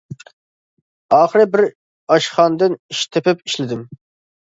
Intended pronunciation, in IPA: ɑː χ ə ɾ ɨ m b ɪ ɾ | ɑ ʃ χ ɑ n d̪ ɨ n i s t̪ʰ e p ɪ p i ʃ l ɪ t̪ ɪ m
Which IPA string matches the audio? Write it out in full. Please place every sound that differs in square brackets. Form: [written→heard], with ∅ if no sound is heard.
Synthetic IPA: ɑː χ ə ɾ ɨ [m→∅] b ɪ ɾ | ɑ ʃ χ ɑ n d̪ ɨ n i [s→ʃ] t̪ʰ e p ɪ p i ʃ l ɪ [t̪→d̪] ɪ m